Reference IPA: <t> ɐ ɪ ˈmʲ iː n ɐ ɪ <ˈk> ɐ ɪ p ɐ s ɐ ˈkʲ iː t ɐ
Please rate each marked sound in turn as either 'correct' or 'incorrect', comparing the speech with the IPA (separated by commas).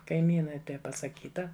incorrect, incorrect